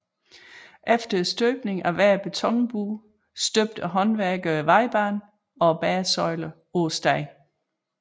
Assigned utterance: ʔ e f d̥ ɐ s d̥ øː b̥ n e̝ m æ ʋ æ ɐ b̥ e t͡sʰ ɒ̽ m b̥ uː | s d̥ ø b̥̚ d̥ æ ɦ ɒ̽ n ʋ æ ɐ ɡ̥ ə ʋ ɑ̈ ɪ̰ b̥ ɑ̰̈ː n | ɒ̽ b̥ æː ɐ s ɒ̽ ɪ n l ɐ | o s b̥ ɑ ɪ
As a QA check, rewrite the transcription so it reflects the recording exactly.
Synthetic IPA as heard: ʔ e f d̥ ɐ s d̥ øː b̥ n e̝ ŋ æ ʋ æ ɐ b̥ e t͡sʰ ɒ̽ ŋ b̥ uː | s d̥ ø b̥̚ d̥ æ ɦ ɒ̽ n ʋ æ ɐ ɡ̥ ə ʋ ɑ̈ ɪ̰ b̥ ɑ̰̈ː n | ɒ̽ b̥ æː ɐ s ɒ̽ ɪ l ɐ | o s d̥ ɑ ɪ